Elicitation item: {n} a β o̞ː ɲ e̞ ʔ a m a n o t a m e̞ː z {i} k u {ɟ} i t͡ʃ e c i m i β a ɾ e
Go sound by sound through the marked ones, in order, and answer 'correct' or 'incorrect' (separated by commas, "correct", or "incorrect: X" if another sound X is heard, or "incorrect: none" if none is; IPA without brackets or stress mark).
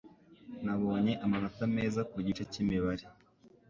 correct, incorrect: a, correct